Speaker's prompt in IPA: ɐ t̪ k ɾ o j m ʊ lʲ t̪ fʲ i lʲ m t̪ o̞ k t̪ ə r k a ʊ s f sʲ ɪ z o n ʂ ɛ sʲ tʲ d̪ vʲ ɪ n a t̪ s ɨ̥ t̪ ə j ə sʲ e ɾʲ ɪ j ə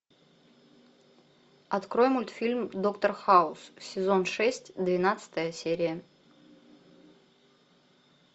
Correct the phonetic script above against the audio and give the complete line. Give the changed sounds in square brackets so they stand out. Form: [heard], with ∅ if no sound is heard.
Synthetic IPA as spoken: ɐ t̪ k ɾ o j m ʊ lʲ t̪ fʲ i lʲ m [d̪] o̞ k t̪ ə r [x] a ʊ s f sʲ ɪ z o n ʂ ɛ sʲ tʲ d̪ vʲ ɪ n a t̪ s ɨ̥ t̪ ə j ə sʲ e ɾʲ ɪ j ə

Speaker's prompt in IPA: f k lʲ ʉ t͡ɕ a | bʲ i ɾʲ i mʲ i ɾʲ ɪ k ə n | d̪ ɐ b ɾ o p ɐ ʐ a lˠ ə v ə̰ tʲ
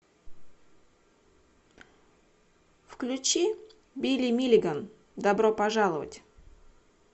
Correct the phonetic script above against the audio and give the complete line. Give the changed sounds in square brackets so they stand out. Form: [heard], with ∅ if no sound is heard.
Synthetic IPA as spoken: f k lʲ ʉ t͡ɕ [i] | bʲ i [lʲ] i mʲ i [lʲ] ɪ [ɡ] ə n | d̪ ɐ b ɾ o p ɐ ʐ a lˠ ə v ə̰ tʲ

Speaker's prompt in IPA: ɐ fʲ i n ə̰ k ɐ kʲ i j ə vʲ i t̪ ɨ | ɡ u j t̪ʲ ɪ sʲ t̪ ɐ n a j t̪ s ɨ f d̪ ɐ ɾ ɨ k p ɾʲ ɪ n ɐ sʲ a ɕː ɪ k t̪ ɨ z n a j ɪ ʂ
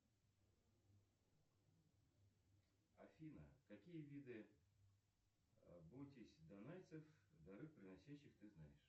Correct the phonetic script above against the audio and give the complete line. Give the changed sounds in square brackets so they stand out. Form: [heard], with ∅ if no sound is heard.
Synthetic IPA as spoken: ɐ fʲ i n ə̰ k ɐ kʲ i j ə vʲ i [d̪] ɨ | [b] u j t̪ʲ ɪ sʲ [d̪] ɐ n a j t̪ s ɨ f d̪ ɐ ɾ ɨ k p ɾʲ ɪ n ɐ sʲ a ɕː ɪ [x] t̪ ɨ z n a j ɪ ʂ

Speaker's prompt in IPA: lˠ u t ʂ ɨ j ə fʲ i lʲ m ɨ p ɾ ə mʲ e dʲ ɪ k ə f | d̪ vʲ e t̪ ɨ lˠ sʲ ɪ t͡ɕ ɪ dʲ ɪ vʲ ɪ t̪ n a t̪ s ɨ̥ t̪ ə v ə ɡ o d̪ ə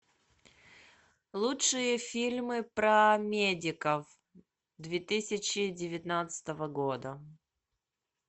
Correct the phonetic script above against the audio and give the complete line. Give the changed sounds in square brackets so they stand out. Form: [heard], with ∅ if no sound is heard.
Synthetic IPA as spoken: lˠ u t ʂ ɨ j ə fʲ i lʲ m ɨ p ɾ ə mʲ e dʲ ɪ k ə f | d̪ vʲ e t̪ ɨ [∅] sʲ ɪ t͡ɕ ɪ dʲ ɪ vʲ ɪ t̪ n a t̪ s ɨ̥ t̪ ə v ə ɡ o d̪ ə

